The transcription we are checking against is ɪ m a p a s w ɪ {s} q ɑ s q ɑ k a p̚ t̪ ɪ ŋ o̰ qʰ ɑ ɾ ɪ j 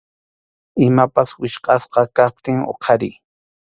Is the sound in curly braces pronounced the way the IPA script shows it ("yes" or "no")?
no